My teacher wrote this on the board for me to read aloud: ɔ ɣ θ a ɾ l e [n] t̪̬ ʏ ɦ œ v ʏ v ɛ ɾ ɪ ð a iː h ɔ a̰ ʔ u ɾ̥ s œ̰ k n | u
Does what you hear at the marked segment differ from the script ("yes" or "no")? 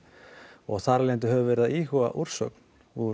no